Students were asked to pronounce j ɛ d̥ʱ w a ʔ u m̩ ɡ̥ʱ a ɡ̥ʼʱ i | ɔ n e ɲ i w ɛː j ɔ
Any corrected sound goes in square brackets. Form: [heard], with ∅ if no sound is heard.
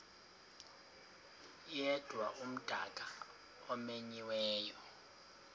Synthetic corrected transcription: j ɛ d̥ʱ w a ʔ u m̩ [d̥ʱ] a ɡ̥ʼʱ [a] | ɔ [m] e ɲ i w ɛː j ɔ